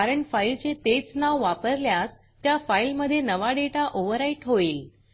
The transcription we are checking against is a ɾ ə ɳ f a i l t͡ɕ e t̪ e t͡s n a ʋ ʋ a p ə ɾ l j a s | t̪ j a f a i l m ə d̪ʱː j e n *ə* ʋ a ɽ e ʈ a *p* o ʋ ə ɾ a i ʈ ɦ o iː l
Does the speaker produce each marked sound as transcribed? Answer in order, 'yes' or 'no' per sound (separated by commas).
yes, no